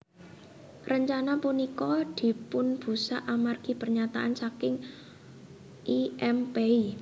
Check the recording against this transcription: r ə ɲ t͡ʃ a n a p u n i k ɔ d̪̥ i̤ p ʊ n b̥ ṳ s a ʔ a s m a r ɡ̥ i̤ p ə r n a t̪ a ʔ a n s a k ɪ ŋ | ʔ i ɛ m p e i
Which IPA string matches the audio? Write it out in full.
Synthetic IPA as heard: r ə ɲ t͡ʃ a n a p u n i k ɔ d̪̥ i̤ p ʊ n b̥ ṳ s a ʔ a m a r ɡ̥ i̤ p ə r ɲ a t̪ a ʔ a n s a k ɪ ŋ | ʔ i ɛ m p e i